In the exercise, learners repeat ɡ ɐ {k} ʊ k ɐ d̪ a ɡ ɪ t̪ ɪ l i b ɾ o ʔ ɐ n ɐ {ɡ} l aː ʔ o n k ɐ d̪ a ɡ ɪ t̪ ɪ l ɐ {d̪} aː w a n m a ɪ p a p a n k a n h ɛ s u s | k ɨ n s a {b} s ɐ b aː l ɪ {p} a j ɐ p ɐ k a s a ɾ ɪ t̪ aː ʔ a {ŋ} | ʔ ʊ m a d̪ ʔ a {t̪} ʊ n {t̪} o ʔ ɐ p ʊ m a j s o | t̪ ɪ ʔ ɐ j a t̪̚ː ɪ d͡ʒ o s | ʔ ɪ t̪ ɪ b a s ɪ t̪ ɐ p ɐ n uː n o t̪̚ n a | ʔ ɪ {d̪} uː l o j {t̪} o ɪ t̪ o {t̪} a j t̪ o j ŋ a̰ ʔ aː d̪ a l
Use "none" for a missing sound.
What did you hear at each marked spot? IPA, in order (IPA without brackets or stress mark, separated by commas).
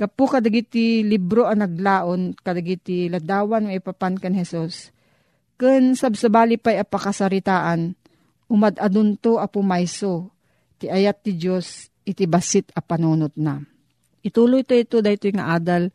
p, ɡ, d̪, b, p, n, d̪, t̪, t̪, t̪, d̪